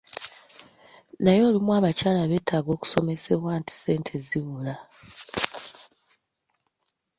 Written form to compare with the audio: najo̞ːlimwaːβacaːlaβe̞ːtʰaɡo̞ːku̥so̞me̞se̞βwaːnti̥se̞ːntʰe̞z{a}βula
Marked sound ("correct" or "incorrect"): incorrect